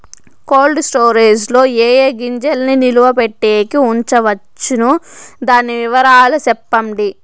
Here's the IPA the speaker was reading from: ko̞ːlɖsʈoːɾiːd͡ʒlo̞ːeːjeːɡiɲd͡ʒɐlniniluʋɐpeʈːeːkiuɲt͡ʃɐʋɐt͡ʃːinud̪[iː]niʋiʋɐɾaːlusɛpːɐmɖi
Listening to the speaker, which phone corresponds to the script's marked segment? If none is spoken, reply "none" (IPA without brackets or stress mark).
aː